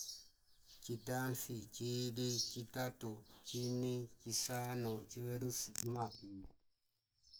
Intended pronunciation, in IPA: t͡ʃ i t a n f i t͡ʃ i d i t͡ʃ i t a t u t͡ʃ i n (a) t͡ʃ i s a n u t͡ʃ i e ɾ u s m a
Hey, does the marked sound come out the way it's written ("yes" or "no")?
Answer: no